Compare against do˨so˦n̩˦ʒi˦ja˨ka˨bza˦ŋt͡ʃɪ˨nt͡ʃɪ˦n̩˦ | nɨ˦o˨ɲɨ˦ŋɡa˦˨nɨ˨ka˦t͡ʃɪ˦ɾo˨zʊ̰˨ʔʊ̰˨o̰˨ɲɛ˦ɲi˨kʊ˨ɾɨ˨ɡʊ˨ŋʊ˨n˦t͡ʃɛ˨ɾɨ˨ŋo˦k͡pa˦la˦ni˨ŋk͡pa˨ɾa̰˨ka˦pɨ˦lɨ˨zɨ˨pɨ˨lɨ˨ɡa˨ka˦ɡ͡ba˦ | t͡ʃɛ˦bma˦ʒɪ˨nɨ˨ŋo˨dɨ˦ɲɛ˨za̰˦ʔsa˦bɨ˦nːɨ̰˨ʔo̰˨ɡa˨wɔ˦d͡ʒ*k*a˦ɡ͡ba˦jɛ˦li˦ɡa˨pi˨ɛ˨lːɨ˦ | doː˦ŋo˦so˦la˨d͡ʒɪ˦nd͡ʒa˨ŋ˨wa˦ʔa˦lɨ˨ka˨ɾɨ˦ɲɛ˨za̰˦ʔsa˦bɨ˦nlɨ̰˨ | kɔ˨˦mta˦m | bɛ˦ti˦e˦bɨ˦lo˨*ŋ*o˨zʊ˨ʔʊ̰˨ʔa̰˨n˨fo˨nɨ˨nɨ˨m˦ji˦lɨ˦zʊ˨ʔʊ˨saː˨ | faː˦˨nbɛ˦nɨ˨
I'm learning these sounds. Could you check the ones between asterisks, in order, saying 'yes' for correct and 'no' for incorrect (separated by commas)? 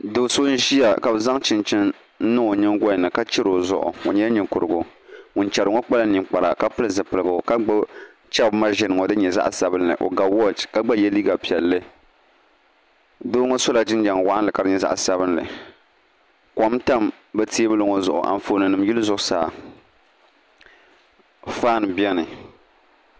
yes, yes